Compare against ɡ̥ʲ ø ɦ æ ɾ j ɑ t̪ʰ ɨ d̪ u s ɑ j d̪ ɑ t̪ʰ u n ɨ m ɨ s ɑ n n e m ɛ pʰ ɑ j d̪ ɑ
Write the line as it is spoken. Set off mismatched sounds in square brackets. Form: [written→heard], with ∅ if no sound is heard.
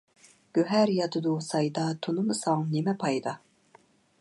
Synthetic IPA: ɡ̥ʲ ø ɦ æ ɾ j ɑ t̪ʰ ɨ d̪ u s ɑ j d̪ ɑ t̪ʰ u n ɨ m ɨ s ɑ [n→ŋ] n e m ɛ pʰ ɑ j d̪ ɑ